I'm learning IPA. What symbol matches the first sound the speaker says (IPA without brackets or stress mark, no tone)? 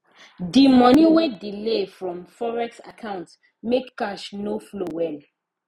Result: d